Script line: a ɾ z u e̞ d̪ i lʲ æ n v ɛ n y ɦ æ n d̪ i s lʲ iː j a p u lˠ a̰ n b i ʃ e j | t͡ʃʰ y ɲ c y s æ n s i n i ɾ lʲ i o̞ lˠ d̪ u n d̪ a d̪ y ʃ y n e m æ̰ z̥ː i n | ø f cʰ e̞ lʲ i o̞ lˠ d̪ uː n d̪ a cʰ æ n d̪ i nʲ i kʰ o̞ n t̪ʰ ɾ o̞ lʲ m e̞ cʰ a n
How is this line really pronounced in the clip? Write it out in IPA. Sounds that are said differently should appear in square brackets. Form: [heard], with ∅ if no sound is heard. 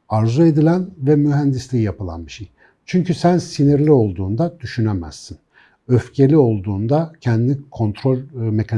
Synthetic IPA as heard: a ɾ z u e̞ d̪ i lʲ æ n v ɛ [m] y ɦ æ n d̪ i s lʲ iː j a p [ɯ] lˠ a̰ n b i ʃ e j | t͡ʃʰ y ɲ c y s æ n s i n i ɾ lʲ i o̞ lˠ d̪ [uː] n d̪ a d̪ y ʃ y n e m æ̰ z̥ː i n | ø f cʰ e̞ lʲ i o̞ lˠ d̪ uː n d̪ a cʰ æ n d̪ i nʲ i kʰ o̞ n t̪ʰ ɾ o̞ lʲ m e̞ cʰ a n